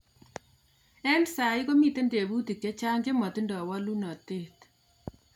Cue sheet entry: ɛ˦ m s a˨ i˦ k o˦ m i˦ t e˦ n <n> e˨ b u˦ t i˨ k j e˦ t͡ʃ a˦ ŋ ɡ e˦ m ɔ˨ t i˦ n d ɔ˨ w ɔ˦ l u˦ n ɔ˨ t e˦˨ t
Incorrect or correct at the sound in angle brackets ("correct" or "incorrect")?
incorrect